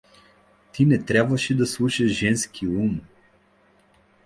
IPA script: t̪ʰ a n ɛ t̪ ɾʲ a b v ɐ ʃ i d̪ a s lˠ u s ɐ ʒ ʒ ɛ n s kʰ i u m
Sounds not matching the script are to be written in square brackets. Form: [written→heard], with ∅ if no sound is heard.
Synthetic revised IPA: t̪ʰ [a→i] n ɛ t̪ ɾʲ a b v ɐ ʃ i d̪ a s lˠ u [s→ʃ] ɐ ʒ ʒ ɛ n s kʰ i u m